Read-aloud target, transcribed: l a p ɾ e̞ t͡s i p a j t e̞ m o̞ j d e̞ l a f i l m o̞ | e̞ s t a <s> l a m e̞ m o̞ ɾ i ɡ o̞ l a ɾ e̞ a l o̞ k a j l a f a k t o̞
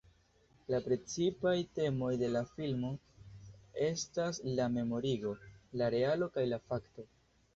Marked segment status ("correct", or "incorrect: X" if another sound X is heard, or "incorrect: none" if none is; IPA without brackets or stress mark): correct